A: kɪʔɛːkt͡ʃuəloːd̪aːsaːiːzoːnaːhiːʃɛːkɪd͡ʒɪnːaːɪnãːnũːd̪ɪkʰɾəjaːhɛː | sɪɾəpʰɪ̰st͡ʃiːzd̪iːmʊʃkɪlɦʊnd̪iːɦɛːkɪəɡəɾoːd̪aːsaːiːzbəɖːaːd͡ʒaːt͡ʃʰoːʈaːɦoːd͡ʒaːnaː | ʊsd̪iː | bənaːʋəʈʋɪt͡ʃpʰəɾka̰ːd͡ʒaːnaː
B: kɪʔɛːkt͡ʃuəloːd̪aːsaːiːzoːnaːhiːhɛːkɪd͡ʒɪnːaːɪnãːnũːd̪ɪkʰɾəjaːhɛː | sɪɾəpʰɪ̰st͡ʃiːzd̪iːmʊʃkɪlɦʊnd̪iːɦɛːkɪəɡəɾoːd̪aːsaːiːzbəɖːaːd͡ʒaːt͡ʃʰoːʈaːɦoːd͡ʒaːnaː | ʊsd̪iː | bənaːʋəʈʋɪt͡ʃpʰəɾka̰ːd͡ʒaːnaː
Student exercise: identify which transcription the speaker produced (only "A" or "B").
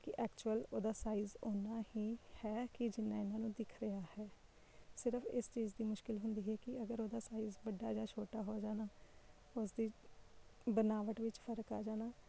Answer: B